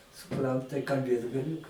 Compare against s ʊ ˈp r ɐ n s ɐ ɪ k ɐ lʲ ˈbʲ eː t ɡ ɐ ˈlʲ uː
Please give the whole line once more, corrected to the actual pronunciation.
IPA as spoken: s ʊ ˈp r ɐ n t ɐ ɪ k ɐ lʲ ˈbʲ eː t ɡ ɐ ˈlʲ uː